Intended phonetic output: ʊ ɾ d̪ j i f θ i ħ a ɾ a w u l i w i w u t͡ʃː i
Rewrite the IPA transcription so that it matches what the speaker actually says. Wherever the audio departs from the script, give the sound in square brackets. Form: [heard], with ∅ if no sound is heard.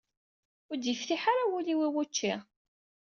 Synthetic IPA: ʊ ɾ d̪ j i f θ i ħ a ɾ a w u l i w i w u t͡ʃː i